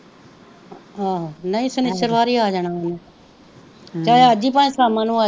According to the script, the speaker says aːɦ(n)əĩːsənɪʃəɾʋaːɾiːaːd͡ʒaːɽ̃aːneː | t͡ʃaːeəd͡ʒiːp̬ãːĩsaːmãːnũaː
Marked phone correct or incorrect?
correct